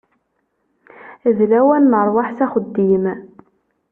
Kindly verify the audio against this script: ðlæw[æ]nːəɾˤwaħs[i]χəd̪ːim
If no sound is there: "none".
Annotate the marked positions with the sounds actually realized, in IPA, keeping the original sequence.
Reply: æ, æ

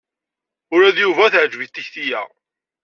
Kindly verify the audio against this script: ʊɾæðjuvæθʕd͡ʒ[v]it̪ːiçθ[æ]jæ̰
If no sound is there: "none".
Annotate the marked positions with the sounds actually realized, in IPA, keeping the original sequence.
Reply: v, i

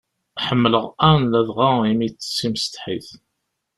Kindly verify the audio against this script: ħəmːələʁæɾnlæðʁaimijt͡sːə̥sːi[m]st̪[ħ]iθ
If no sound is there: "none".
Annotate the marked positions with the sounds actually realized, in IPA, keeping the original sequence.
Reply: m, ħ

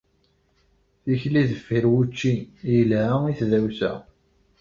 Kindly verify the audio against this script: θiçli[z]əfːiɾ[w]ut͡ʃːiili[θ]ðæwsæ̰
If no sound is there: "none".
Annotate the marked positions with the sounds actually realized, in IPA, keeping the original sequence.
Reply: ð, w, θ

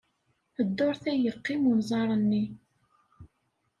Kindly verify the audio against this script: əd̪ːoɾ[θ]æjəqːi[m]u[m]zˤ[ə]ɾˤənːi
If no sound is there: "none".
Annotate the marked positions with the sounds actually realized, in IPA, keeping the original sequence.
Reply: θ, m, n, ɑ

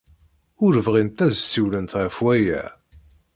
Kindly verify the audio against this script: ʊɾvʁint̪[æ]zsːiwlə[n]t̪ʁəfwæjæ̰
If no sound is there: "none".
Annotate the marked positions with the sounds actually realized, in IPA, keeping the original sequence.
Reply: æ, n

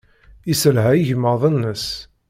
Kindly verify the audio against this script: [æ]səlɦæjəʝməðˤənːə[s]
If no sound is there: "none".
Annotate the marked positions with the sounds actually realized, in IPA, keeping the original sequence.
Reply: i, s

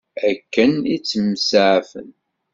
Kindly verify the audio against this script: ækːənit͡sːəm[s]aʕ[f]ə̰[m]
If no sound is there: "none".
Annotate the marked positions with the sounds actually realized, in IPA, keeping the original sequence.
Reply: s, f, n

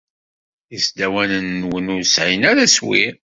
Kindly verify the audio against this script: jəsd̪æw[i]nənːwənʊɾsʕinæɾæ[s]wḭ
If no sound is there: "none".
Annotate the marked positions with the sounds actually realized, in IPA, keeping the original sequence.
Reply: æ, s

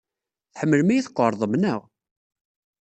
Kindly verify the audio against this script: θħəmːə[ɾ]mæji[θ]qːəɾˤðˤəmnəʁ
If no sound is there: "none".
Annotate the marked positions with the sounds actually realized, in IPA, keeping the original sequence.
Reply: l, θ

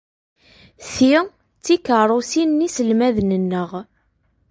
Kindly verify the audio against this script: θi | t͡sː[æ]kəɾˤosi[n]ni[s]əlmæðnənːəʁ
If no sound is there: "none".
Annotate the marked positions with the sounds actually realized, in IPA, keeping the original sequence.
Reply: i, n, s

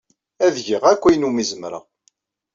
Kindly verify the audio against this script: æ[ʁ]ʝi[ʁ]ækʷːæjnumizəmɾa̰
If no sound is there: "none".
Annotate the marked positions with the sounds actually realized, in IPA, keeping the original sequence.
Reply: ð, ʁ

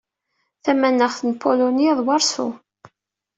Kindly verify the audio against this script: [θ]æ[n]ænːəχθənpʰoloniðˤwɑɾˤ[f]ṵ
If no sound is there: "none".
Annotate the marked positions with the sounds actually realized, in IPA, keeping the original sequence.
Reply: θ, m, s

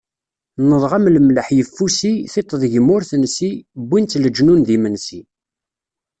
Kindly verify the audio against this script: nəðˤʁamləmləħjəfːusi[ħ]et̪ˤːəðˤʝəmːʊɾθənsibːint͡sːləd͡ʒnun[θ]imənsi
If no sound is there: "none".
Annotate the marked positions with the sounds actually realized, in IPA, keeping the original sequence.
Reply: θ, ð

